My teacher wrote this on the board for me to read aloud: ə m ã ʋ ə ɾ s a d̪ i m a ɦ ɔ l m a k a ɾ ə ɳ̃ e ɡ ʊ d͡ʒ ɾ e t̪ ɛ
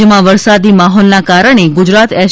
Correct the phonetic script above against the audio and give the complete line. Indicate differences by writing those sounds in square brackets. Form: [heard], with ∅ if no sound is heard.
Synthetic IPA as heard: ə m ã ʋ ə ɾ s a d̪ i m a ɦ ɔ l [n] a k a ɾ ə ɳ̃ e ɡ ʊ d͡ʒ ɾ [a] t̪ ɛ